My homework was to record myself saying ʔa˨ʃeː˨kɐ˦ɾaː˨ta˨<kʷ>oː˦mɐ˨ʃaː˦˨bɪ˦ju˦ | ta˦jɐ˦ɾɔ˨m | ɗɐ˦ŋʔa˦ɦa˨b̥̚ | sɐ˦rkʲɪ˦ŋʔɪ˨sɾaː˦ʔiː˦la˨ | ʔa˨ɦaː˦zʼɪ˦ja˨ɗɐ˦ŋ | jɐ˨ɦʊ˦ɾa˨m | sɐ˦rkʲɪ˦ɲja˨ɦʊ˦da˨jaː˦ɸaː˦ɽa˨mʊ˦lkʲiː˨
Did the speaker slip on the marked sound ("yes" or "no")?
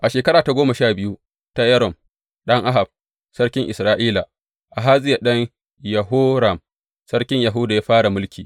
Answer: yes